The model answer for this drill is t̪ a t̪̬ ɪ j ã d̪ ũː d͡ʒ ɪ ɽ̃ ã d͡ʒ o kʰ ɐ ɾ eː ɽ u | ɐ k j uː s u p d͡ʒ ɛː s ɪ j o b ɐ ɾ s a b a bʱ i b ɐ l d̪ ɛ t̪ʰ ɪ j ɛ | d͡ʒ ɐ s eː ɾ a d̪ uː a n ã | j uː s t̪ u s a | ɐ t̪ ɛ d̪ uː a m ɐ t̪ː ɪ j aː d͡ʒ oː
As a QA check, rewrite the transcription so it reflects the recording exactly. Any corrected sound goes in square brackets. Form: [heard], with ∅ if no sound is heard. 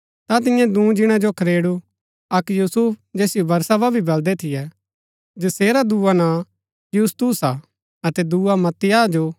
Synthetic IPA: t̪ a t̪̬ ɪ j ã d̪ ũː d͡ʒ ɪ ɽ̃ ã d͡ʒ o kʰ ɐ ɾ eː ɽ u | ɐ k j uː s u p d͡ʒ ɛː s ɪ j o b ɐ ɾ s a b a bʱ i b ɐ l d̪ ɛ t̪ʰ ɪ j ɛ | d͡ʒ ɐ s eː ɾ a d̪ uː a n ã | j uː s t̪ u s a | ɐ t̪ ɛ d̪ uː a m ɐ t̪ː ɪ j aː d͡ʒ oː